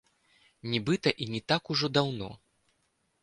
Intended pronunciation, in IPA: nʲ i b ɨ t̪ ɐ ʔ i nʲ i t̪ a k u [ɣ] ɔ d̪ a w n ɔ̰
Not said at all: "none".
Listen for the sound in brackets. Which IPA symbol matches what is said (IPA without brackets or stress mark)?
ʐ